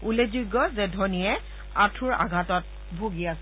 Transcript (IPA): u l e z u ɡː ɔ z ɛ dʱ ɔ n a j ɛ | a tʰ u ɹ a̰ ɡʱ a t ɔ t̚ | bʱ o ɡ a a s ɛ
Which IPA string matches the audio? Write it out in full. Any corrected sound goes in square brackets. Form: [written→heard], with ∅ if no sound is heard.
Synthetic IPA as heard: u l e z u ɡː ɔ z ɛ dʱ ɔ n [a→i] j ɛ | a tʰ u ɹ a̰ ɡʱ a t ɔ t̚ | bʱ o ɡ [a→i] a s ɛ